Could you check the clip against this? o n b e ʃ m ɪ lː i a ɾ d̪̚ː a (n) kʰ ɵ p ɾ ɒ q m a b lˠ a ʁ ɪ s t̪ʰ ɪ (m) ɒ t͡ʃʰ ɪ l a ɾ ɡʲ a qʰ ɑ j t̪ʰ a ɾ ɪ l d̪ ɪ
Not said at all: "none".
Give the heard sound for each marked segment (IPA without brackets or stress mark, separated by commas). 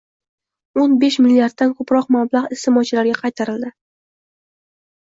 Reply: n, m